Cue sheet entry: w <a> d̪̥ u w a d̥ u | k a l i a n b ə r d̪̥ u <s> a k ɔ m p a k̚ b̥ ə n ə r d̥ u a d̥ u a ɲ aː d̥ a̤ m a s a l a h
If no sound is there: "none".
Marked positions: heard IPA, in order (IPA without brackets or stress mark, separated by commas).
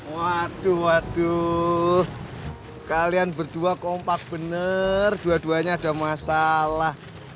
a, none